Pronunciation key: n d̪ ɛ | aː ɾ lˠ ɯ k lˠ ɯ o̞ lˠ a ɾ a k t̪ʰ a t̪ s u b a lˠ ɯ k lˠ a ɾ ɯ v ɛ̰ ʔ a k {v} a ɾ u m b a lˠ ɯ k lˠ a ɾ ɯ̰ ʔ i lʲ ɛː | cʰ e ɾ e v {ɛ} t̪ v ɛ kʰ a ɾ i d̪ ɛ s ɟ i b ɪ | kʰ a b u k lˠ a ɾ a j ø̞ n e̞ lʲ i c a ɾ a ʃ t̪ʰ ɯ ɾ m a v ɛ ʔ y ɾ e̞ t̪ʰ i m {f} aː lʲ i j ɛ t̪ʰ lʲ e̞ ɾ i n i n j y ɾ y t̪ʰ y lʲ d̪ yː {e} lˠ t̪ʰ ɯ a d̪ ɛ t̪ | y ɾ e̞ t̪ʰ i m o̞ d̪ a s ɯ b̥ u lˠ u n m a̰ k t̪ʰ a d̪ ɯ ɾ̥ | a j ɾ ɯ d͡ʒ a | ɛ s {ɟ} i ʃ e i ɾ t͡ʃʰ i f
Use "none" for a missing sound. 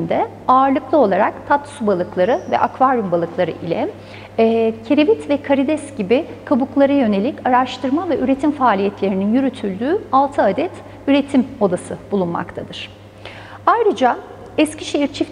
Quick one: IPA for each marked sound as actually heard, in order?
v, i, f, a, c

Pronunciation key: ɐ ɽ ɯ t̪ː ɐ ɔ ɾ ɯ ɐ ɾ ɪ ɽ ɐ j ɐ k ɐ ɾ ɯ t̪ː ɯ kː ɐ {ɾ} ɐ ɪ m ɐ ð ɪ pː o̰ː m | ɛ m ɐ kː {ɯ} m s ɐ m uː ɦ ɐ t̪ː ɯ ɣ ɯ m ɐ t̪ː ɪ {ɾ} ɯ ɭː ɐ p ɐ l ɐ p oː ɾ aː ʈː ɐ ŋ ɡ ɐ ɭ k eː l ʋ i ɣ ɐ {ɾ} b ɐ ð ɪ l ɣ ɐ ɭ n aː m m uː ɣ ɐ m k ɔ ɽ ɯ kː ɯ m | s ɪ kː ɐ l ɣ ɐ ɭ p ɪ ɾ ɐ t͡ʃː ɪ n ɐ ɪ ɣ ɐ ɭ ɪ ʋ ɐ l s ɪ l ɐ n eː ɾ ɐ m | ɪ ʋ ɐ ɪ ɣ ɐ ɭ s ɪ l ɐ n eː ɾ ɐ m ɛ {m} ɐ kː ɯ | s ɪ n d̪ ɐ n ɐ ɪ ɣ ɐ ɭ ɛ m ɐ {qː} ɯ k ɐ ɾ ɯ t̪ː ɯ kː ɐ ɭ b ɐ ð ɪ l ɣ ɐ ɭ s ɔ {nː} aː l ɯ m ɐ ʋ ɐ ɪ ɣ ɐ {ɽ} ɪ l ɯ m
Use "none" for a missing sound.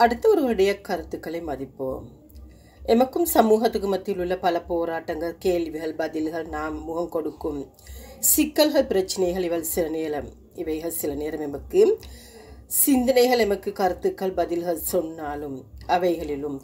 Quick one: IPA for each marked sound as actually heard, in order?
ɭ, ɯ, l, ɭ, m, kː, nː, ɭ

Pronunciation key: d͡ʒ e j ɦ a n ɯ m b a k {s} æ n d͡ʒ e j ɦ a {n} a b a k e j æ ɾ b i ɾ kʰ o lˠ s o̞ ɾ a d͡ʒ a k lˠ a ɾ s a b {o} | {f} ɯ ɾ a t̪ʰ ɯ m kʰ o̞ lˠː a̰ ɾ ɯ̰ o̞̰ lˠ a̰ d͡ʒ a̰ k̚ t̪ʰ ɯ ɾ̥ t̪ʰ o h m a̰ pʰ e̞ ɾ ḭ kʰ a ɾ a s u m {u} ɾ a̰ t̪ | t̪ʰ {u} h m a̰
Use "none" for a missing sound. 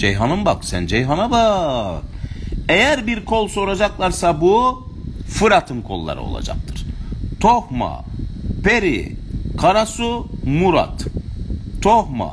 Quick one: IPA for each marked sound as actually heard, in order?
s, n, u, f, u, o

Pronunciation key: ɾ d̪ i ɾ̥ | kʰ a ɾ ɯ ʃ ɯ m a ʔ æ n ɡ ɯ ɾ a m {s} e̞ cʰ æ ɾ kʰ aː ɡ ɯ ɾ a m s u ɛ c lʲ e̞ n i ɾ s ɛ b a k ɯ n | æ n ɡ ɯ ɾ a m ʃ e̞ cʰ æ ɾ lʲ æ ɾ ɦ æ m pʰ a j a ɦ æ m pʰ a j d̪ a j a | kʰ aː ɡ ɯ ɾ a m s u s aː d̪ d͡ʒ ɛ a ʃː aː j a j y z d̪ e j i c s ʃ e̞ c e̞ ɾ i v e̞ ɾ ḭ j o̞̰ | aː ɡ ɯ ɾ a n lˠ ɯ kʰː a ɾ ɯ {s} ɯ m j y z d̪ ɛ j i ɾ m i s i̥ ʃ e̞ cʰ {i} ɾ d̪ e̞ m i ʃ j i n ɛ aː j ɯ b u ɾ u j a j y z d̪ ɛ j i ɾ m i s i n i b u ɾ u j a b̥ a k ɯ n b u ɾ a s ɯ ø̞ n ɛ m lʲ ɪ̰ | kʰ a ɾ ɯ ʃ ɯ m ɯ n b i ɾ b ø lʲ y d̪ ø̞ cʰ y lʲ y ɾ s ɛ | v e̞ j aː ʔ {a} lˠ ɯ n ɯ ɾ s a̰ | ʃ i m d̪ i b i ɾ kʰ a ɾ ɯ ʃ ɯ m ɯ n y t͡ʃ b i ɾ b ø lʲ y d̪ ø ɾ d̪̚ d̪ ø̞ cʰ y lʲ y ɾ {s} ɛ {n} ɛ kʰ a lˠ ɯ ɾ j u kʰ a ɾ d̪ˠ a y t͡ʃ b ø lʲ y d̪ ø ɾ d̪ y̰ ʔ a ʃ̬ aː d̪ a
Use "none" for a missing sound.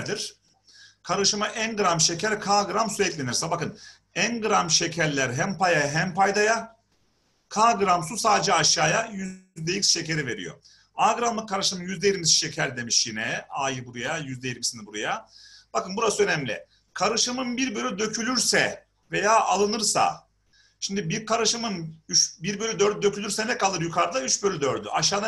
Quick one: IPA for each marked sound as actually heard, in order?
ʃ, ʃ, æ, a, s, n

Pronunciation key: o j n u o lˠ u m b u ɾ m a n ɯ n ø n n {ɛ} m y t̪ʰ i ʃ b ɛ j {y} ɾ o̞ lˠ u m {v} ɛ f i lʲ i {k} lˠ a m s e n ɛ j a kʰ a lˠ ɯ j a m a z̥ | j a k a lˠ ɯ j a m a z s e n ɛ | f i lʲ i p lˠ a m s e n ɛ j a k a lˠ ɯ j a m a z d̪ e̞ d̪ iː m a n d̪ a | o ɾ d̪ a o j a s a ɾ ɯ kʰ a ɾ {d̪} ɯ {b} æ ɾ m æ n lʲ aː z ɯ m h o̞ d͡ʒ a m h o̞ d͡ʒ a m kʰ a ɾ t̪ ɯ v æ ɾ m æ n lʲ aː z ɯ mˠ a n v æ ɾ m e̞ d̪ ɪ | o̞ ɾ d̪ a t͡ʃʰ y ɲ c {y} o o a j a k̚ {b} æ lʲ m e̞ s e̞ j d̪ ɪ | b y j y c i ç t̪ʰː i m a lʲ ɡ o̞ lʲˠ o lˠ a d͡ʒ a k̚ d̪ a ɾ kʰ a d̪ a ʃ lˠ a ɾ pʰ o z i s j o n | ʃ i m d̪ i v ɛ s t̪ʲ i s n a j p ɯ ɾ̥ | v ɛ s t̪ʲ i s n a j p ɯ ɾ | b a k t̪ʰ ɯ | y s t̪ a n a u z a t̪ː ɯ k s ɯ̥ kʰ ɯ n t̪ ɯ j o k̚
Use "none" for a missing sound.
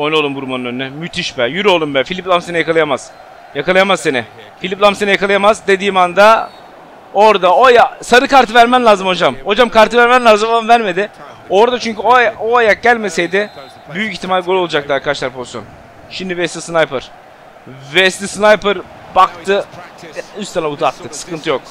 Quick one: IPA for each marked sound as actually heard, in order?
ɛ, y, b, p, t̪, v, y, ɟ

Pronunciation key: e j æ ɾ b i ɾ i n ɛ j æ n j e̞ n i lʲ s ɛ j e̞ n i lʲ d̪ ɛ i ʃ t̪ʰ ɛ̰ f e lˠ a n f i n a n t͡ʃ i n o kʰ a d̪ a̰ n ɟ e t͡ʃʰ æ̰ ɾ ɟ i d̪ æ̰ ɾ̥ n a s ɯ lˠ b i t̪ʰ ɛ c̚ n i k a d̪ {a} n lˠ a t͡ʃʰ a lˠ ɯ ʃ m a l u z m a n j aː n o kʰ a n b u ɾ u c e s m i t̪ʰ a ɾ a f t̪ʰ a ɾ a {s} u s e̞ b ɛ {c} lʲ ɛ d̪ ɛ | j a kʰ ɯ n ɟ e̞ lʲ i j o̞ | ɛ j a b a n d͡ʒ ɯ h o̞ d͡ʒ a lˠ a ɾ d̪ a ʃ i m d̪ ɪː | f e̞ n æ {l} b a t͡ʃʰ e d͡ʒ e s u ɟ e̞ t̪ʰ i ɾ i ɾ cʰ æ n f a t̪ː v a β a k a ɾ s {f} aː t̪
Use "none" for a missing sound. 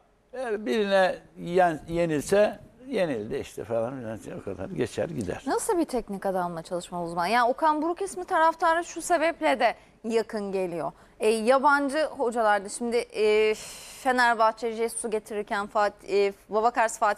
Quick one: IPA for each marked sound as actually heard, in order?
a, ʃ, p, ɾ, f

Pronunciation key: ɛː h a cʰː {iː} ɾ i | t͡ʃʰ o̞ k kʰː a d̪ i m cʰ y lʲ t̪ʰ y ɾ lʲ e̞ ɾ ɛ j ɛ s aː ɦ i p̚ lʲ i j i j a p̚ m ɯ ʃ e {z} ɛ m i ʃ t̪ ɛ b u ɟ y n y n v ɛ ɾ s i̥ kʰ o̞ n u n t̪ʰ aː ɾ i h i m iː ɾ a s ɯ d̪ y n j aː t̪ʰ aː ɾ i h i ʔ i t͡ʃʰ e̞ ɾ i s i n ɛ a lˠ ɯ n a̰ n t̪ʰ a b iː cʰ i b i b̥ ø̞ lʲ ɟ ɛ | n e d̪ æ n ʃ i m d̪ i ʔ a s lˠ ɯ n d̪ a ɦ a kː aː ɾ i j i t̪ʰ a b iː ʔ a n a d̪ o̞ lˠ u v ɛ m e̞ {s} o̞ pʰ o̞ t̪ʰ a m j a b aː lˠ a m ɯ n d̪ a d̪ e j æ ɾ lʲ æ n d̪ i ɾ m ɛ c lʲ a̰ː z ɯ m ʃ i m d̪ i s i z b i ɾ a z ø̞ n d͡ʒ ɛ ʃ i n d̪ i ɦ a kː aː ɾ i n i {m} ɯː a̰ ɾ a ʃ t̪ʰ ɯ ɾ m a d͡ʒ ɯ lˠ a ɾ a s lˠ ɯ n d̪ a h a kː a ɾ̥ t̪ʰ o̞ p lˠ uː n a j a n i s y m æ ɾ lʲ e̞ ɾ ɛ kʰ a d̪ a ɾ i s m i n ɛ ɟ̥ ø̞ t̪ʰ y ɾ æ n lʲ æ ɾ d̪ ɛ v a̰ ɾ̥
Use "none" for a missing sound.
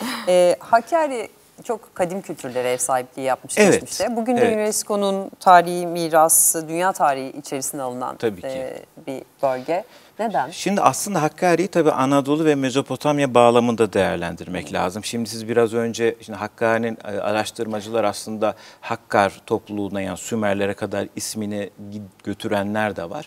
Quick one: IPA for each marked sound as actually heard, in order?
aː, v, z, n

